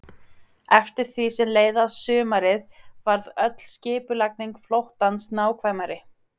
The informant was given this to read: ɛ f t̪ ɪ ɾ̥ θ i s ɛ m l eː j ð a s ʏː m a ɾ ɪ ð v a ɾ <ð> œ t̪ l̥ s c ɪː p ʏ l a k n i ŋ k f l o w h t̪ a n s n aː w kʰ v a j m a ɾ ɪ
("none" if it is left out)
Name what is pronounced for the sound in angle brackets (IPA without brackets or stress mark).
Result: ð